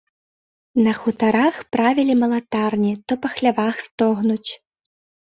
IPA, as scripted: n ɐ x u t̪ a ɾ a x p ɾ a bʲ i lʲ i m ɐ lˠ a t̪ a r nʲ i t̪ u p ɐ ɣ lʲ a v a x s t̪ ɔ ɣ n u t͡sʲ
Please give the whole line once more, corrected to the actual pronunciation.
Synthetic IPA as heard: n ɐ x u t̪ a ɾ a x p ɾ a vʲ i lʲ i m ɐ lˠ a t̪ a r nʲ i t̪ ɔ p ɐ x lʲ a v a x s t̪ ɔ ɣ n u t͡sʲ